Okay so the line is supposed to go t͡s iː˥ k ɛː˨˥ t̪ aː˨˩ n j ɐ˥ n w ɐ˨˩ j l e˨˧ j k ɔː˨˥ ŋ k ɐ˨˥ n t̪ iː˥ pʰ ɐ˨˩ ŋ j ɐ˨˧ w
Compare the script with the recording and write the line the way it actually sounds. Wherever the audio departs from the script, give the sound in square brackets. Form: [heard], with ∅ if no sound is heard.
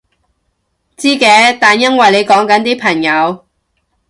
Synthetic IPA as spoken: t͡s iː˥ k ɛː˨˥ t̪ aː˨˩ n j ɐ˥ n w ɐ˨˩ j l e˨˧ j k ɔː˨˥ ŋ k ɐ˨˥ n t̪ iː˥ pʰ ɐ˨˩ ŋ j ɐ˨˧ w